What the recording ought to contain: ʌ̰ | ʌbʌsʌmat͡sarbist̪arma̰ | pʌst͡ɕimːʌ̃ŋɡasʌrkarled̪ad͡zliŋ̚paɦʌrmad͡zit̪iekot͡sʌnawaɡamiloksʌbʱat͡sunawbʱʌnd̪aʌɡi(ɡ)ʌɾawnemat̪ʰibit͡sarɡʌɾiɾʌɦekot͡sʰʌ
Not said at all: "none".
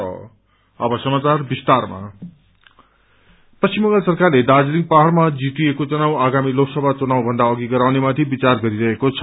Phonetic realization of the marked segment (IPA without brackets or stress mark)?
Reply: ɡ